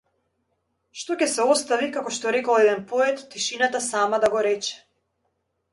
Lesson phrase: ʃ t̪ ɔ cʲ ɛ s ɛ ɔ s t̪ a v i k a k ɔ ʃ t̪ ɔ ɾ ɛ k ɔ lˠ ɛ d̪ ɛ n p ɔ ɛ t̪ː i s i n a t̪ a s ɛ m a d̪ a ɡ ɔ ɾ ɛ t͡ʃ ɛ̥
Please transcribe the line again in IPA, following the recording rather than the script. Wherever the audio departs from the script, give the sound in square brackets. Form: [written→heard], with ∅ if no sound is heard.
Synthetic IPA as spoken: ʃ t̪ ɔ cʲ ɛ s ɛ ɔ s t̪ a v i k a k ɔ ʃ t̪ ɔ ɾ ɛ k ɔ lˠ ɛ d̪ ɛ n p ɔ ɛ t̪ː i [s→ʃ] i n a t̪ a s [ɛ→a] m a d̪ a ɡ ɔ ɾ ɛ t͡ʃ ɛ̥